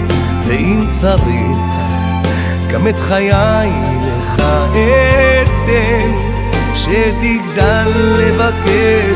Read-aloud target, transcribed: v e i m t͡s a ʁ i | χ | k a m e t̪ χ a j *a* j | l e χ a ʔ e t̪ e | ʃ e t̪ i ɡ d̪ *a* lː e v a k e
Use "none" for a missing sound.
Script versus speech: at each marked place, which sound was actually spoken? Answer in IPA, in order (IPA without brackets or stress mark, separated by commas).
a, a